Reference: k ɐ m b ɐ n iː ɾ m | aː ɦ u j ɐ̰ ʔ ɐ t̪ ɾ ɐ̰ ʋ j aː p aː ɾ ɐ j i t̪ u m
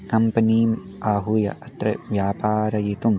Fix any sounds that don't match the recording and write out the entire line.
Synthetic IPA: k ɐ m p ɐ n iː m | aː ɦ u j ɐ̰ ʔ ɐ t̪ ɾ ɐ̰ ʋ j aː p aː ɾ ɐ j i t̪ u m